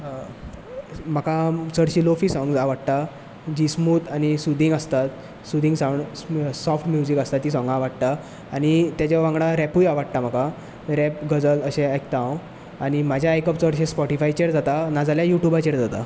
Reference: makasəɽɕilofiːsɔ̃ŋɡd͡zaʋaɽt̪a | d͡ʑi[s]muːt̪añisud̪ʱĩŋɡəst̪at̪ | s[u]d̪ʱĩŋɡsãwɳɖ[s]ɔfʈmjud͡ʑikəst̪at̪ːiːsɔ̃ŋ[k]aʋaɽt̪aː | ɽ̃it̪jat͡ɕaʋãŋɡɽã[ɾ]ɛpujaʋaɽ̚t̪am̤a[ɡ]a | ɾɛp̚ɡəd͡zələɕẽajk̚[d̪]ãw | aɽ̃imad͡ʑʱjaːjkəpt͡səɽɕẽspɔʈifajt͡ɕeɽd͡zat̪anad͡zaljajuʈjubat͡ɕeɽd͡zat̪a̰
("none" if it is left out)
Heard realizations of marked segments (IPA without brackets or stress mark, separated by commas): s, u, s, ɡ, ɾ, k, t̪